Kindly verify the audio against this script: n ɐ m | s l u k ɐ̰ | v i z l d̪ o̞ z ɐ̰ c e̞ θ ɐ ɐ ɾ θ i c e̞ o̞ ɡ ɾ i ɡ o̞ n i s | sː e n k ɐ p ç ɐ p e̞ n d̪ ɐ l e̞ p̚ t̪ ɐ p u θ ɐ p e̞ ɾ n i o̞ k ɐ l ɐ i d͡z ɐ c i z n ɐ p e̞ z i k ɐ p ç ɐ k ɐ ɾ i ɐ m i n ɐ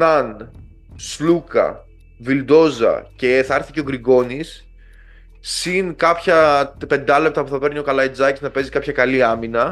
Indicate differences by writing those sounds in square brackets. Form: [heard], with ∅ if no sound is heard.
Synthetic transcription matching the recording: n ɐ [n] | s l u k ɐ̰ | v i [∅] l d̪ o̞ z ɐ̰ c e̞ θ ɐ ɐ ɾ θ i c e̞ o̞ ɡ ɾ i ɡ o̞ n i s | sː [i] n k ɐ p ç ɐ p e̞ n d̪ ɐ l e̞ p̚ t̪ ɐ p u θ ɐ p e̞ ɾ n i o̞ k ɐ l ɐ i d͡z ɐ c i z n ɐ p e̞ z i k ɐ p ç ɐ k ɐ [l] i ɐ m i n ɐ